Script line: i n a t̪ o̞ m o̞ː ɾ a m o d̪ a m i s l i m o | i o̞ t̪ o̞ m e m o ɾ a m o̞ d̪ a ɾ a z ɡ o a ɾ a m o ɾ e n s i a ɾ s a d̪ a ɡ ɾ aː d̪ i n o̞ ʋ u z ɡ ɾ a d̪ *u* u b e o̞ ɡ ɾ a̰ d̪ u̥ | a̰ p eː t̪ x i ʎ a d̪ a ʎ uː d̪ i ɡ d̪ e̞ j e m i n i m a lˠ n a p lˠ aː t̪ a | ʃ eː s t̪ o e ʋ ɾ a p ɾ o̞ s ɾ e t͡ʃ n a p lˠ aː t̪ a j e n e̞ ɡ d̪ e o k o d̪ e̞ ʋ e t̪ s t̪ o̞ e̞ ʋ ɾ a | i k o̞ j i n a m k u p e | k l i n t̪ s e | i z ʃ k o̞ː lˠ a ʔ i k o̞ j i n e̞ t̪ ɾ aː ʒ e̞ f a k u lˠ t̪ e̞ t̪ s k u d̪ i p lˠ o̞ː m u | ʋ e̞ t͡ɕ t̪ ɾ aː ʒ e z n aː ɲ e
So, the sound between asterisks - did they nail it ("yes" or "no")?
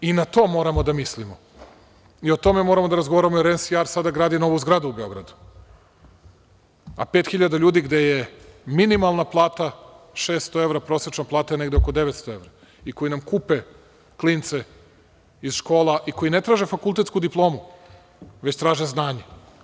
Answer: yes